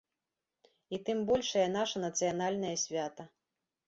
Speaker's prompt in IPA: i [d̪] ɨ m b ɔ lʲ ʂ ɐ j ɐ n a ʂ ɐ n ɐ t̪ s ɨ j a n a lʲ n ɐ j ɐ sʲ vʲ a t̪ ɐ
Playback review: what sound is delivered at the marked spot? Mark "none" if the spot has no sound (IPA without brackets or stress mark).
t̪